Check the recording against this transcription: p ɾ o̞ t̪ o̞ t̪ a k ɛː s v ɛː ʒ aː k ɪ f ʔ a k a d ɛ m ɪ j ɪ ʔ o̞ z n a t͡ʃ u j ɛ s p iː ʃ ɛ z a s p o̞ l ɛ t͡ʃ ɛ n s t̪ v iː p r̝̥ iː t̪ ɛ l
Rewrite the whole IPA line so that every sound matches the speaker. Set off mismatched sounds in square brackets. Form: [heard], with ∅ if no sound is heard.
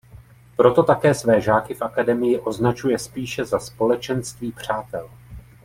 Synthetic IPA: p ɾ o̞ t̪ o̞ t̪ a k ɛː s v ɛː ʒ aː k ɪ f ʔ a k a d ɛ m ɪ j ɪ ʔ o̞ z n a t͡ʃ u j ɛ s p iː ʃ ɛ z a s p o̞ l ɛ t͡ʃ ɛ n s t̪ v iː p r̝̥ [aː] t̪ ɛ l